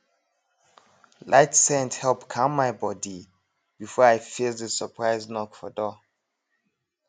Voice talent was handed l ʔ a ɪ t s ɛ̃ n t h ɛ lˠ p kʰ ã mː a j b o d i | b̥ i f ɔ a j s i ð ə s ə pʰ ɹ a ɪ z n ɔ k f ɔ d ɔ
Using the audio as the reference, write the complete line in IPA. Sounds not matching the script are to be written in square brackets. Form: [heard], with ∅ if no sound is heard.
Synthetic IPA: l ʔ a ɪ t s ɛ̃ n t h ɛ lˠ p kʰ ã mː a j b [ɔ] d i | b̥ i f ɔ a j [f] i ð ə s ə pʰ ɹ a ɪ z n ɔ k f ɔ d ɔ